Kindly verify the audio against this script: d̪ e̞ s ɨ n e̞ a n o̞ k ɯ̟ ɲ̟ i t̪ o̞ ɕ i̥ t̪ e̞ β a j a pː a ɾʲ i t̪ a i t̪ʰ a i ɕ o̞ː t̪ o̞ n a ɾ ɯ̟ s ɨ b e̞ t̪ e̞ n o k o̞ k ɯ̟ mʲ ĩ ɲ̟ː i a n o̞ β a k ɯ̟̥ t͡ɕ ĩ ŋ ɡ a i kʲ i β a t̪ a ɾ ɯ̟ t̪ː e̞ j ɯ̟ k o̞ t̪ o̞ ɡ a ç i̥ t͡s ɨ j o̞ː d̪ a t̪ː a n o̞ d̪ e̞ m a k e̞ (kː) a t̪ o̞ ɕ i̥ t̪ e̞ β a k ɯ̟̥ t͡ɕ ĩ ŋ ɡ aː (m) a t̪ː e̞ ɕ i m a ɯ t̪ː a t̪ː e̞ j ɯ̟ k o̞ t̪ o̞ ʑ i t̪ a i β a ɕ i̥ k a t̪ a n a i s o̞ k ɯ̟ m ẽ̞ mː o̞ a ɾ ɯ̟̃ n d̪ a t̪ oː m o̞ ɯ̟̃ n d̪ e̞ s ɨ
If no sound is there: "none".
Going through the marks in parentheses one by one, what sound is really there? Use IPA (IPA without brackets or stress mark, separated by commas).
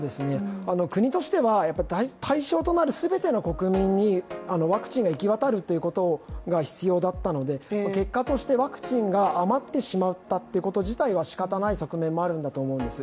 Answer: kː, m